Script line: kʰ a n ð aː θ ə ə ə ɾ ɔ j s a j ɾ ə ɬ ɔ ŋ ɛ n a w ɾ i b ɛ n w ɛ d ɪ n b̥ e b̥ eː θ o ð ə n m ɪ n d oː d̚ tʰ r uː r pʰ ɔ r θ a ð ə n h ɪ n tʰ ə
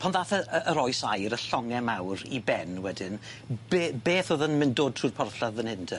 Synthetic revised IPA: pʰ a n ð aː θ ə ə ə ɾ ɔ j s a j ɾ ə ɬ ɔ ŋ ɛ m a w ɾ i b ɛ n w ɛ d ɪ n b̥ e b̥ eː θ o ð ə n m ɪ n d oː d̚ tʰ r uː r pʰ ɔ r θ a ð ə n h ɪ n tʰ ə